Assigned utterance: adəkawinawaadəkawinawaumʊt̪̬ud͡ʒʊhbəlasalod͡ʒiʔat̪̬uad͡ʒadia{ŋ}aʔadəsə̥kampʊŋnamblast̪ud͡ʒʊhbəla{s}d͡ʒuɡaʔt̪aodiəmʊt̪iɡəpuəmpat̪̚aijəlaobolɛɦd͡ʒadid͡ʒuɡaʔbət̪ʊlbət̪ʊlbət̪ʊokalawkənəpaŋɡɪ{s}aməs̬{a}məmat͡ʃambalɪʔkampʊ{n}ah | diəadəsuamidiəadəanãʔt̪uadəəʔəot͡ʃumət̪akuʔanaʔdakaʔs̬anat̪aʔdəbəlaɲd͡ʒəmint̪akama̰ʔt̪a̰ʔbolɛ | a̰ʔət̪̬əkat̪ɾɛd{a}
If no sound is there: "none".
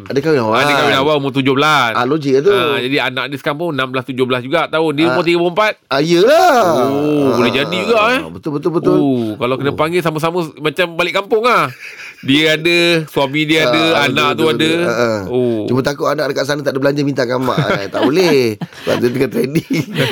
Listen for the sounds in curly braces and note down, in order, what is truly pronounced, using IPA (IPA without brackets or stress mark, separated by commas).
n, s, s, a, ŋ, i